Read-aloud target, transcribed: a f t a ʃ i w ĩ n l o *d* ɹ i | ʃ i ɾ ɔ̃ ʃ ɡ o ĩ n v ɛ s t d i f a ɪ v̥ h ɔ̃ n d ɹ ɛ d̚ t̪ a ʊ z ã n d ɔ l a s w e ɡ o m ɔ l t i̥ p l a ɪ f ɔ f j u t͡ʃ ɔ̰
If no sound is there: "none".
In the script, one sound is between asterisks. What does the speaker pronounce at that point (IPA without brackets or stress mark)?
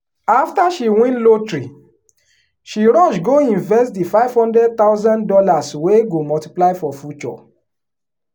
t